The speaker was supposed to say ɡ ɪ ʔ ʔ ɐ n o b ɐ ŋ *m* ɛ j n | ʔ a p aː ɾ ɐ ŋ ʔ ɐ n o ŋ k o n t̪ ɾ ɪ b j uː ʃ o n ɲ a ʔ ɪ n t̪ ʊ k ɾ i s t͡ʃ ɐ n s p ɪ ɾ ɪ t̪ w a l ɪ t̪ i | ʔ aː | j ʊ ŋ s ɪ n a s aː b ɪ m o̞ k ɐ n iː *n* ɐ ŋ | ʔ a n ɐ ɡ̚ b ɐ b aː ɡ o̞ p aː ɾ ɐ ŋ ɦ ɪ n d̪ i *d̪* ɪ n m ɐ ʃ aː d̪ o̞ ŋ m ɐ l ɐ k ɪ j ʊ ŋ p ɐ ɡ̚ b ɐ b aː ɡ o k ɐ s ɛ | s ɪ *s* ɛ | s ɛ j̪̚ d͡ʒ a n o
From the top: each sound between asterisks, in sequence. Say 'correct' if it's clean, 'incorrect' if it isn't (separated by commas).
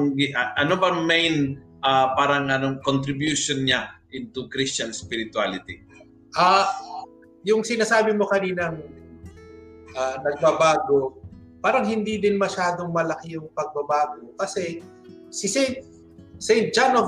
correct, correct, correct, correct